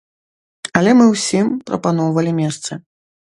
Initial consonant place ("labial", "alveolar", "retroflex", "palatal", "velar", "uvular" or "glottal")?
alveolar